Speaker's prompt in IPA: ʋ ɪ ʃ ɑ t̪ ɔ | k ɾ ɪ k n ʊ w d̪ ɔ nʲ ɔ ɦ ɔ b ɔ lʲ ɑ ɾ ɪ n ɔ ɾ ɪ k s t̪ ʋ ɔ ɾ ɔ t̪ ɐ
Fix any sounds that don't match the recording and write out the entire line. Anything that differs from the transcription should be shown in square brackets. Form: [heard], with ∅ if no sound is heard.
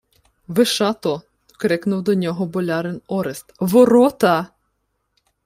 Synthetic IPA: ʋ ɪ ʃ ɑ t̪ ɔ | k ɾ ɪ k n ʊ w d̪ ɔ nʲ ɔ ɦ ɔ b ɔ lʲ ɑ ɾ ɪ n ɔ ɾ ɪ [∅] s t̪ ʋ ɔ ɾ ɔ t̪ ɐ